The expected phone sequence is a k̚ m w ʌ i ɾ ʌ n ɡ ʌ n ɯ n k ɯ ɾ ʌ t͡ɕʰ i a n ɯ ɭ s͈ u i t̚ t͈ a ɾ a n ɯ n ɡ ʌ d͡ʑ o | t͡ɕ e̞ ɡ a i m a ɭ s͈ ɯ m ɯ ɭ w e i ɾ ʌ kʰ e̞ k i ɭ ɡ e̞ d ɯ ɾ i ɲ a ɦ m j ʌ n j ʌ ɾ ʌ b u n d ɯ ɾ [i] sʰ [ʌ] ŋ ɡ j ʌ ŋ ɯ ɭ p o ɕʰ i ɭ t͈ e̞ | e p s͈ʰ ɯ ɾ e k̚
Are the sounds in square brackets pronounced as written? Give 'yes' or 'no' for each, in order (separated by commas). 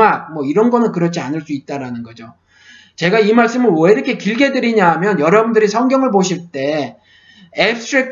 yes, yes